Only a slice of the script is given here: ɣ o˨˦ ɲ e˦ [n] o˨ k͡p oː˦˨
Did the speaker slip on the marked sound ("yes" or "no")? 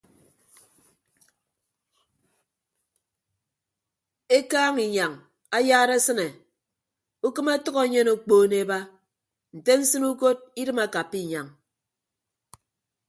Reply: no